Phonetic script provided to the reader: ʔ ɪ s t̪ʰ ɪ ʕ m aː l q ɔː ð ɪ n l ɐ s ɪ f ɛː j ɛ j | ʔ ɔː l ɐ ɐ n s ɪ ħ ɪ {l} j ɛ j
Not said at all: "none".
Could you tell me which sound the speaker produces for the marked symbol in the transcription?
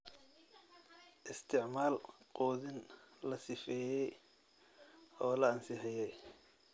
none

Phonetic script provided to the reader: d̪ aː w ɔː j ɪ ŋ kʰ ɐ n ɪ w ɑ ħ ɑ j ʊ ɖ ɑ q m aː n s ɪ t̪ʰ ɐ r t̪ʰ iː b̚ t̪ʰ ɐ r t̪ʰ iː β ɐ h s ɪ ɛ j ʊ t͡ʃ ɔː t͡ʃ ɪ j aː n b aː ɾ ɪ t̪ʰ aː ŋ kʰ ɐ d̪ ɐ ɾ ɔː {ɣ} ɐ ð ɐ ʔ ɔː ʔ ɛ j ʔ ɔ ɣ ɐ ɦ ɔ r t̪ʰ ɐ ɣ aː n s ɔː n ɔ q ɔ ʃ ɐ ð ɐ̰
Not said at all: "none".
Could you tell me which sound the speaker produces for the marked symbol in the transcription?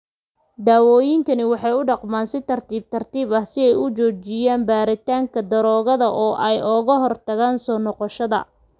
ɣ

